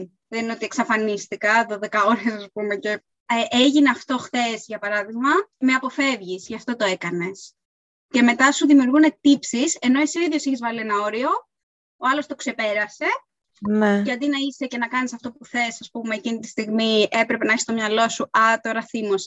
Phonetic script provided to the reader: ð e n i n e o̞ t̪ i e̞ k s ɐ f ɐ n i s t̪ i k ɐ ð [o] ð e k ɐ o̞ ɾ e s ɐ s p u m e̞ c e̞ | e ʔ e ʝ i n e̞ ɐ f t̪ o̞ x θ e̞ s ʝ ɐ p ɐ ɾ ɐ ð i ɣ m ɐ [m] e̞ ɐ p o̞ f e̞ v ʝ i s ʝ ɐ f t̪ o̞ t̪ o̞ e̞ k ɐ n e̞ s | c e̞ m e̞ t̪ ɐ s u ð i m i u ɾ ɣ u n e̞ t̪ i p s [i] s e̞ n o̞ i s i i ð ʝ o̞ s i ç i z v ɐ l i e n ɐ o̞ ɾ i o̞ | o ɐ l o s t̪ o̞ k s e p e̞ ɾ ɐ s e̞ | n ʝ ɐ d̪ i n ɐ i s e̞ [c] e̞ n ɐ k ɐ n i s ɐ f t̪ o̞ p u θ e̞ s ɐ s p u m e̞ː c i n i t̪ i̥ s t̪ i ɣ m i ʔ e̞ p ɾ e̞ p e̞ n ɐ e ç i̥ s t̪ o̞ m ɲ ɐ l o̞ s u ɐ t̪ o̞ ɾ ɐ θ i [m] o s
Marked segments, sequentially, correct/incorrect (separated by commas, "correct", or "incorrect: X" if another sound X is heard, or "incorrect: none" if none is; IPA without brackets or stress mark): correct, correct, correct, correct, correct